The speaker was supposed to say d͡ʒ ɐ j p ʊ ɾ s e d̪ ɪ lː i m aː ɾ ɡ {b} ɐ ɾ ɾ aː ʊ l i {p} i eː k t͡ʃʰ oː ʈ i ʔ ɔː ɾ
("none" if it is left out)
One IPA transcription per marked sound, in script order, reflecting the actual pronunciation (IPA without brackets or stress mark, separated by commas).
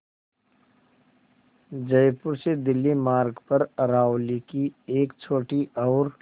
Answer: p, k